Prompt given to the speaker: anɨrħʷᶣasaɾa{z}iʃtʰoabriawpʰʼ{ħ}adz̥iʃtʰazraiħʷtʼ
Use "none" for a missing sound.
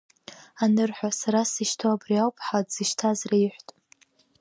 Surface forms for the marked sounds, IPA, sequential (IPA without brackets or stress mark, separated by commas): s, ħ